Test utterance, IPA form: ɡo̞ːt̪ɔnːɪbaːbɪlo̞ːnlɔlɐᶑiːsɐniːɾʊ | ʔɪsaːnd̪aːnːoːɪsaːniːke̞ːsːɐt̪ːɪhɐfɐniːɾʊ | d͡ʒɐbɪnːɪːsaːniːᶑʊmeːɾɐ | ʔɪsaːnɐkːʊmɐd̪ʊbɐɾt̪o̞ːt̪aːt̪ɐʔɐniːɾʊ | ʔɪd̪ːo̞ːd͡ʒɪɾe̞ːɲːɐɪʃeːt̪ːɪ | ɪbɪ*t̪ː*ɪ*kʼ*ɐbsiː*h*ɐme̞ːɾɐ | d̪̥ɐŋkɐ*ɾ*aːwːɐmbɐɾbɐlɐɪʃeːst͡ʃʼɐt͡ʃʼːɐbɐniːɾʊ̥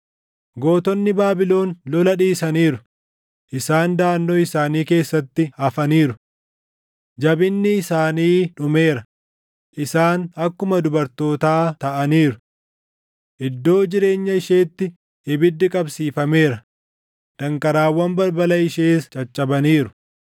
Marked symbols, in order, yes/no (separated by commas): no, yes, no, yes